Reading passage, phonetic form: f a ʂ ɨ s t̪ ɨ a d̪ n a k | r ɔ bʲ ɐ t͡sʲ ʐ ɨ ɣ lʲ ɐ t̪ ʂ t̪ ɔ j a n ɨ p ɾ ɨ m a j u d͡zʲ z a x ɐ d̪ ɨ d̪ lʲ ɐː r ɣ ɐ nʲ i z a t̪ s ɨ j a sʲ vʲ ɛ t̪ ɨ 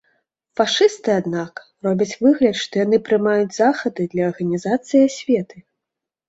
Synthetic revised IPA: f a ʂ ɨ s t̪ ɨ a d̪ n a k | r ɔ bʲ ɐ t͡sʲ v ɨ ɣ lʲ ɐ t̪ ʂ t̪ ɔ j a n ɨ p ɾ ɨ m a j u d͡zʲ z a x ɐ d̪ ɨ d̪ lʲ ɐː r ɣ ɐ nʲ i z a t̪ s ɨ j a sʲ vʲ ɛ t̪ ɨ